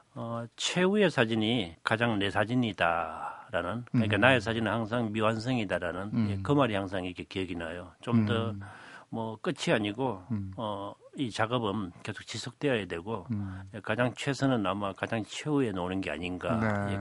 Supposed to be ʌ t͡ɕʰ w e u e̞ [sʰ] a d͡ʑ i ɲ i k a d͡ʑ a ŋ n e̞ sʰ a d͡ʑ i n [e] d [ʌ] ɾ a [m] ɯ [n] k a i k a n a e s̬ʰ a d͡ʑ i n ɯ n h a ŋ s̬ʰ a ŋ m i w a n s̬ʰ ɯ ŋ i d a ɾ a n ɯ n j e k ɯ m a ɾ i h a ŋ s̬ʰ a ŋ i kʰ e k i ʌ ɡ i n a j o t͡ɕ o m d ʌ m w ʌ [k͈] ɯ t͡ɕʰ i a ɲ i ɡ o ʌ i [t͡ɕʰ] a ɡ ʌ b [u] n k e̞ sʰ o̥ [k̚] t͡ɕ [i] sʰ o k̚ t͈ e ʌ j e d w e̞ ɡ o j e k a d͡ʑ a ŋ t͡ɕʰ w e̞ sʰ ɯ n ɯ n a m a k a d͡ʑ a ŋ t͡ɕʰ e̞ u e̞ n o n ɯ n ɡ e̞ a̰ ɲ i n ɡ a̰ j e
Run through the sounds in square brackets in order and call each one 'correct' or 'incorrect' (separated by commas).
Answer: correct, incorrect, incorrect, incorrect, correct, correct, incorrect, incorrect, correct, correct